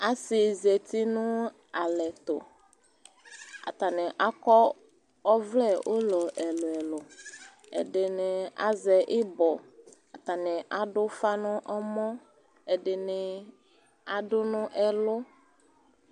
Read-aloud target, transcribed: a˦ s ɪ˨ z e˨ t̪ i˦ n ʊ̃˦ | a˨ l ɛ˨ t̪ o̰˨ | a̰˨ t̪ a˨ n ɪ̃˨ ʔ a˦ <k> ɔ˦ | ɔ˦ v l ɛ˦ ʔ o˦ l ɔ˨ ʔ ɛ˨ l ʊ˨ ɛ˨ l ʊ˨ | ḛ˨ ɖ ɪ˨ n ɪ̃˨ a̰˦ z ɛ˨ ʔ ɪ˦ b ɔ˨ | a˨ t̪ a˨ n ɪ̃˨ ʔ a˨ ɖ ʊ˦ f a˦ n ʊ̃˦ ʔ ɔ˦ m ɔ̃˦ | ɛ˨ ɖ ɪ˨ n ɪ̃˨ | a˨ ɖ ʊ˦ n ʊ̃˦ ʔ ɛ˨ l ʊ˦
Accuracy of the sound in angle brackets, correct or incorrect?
correct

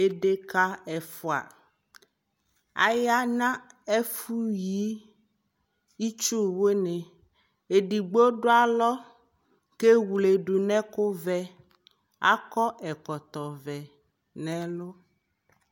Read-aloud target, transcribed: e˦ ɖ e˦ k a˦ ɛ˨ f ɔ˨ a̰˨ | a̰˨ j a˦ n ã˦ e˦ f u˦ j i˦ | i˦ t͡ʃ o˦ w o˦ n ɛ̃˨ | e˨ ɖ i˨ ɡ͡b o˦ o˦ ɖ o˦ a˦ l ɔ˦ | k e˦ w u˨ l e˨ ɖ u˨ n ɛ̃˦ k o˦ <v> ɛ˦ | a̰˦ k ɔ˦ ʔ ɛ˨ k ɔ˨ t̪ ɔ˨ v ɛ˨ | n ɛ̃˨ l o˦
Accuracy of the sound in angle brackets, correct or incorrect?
correct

